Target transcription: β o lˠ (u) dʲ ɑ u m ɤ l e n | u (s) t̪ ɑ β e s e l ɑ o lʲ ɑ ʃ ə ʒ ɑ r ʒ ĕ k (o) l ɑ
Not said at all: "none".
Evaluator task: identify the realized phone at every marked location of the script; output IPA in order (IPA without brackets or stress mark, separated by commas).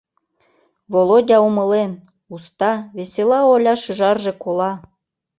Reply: o, s, o